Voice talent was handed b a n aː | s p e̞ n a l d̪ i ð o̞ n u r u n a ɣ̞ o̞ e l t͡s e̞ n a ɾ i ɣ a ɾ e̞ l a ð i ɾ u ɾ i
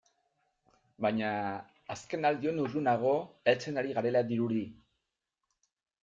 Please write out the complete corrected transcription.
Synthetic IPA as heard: b a ɲ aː | s k e̞ n a l d̪ i o̞ n u r u n a ɣ̞ o̞ e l t͡s e̞ n a ɾ i ɣ a ɾ e̞ l a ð i ɾ u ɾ i